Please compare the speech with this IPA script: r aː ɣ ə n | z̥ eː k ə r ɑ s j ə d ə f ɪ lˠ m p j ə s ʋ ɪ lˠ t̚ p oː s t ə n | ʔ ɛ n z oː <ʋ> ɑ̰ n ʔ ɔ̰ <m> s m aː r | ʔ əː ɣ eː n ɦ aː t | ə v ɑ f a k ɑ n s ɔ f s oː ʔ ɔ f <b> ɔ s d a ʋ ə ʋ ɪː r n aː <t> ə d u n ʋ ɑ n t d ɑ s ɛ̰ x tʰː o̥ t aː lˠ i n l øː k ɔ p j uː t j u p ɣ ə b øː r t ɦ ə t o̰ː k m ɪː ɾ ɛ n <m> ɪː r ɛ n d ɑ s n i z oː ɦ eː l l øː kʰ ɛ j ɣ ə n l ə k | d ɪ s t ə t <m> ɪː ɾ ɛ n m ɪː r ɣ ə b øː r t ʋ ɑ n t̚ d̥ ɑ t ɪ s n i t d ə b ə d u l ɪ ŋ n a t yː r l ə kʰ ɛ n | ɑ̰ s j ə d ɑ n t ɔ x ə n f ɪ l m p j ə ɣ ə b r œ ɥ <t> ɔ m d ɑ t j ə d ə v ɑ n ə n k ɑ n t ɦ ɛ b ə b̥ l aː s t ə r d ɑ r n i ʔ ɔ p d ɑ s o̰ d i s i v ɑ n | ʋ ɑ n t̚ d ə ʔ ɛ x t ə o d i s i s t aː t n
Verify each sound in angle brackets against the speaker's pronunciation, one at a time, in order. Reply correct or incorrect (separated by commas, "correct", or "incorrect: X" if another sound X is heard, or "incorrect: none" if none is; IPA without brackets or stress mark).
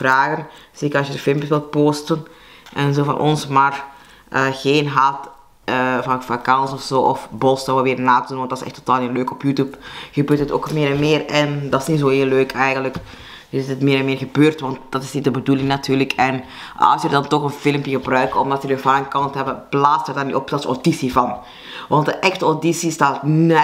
incorrect: v, incorrect: n, correct, correct, correct, correct, incorrect: k